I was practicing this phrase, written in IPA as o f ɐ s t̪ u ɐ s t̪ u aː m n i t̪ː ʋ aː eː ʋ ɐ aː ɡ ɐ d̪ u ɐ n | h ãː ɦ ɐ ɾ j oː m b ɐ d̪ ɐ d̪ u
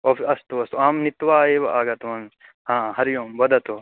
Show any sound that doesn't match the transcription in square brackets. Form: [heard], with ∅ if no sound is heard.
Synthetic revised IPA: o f ɐ s t̪ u ɐ s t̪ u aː m n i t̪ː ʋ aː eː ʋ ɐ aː ɡ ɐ [t̪] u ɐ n | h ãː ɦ ɐ ɾ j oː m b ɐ d̪ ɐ [t̪] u